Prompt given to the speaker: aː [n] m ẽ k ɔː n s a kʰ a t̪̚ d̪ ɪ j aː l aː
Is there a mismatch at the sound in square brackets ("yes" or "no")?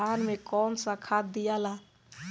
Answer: no